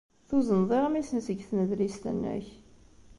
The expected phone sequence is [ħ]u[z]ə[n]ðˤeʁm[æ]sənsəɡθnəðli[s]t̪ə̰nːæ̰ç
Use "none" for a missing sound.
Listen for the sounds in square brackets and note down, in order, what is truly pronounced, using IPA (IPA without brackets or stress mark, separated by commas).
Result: θ, z, n, i, s